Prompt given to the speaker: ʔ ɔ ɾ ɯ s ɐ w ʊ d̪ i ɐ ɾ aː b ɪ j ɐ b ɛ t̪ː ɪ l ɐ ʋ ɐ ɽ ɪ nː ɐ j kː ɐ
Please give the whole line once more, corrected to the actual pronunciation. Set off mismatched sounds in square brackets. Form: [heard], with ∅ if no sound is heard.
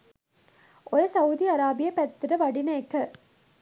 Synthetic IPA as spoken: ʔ ɔ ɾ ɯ s ɐ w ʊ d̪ i ɐ ɾ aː b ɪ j ɐ [p] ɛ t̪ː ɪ [ɾ] ɐ ʋ ɐ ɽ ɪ [n] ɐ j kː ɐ